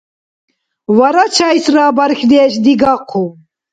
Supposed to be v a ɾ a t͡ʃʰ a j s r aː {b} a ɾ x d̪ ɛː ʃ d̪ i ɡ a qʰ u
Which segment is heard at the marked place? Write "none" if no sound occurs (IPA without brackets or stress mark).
b